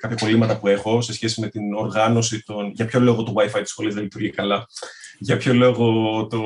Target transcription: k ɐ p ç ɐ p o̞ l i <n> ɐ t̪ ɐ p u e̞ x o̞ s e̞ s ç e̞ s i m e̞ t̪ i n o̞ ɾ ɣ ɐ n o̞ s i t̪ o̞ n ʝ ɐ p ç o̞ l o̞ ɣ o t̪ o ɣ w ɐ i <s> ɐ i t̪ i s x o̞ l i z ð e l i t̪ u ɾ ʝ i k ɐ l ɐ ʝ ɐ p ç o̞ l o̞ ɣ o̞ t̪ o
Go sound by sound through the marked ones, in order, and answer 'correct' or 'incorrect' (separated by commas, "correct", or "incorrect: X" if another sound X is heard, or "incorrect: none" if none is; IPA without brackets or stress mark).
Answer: incorrect: m, incorrect: f